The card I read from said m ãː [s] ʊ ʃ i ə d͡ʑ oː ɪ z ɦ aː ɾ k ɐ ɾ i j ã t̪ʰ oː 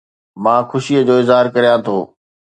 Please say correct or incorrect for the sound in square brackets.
incorrect